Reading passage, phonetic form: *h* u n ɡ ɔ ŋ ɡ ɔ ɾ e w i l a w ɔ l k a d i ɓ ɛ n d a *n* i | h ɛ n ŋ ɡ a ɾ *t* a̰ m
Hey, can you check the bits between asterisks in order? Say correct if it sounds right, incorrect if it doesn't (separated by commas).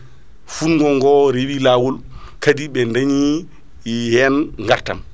incorrect, incorrect, correct